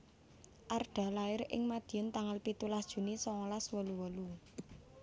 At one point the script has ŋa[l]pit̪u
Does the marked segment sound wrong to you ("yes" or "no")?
no